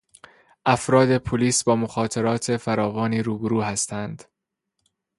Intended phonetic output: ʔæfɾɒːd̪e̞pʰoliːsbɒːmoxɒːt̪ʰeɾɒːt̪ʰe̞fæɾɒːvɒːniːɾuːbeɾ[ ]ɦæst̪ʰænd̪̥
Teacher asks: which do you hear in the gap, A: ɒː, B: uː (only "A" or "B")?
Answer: B